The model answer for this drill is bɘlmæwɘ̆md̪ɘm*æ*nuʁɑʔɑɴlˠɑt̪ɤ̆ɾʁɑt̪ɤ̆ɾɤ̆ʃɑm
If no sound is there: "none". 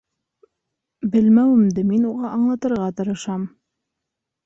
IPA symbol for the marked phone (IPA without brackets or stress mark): i